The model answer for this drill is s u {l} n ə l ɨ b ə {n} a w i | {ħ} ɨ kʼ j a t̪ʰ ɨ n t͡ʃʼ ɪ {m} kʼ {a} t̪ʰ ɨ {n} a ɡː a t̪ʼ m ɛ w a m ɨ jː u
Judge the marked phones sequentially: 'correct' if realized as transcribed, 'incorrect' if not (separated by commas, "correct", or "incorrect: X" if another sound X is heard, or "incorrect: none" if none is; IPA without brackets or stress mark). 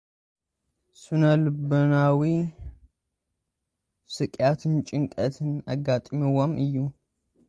incorrect: none, correct, incorrect: s, incorrect: ŋ, incorrect: ə, correct